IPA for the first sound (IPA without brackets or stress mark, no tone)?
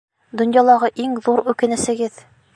d̪